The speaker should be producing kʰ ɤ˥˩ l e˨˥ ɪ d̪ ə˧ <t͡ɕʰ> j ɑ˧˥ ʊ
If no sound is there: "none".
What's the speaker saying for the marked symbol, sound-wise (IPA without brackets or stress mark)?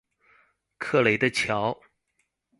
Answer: t͡ɕʰ